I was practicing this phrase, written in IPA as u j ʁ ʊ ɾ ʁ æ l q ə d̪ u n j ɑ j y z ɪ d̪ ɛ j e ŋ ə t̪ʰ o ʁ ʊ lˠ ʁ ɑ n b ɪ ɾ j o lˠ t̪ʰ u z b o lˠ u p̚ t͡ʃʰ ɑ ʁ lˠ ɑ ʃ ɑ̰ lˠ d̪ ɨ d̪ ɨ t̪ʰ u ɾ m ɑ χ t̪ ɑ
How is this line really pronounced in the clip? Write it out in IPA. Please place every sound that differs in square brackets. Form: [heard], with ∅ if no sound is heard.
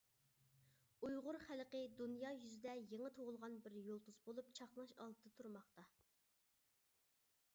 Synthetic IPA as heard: u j ʁ ʊ ɾ [χ] æ l q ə d̪ u n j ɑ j y z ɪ d̪ ɛ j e ŋ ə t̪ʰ o ʁ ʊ lˠ ʁ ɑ n b ɪ ɾ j o lˠ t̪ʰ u z b o lˠ u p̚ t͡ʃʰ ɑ [χ] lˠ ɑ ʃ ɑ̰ lˠ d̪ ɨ d̪ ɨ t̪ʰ u ɾ m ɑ χ t̪ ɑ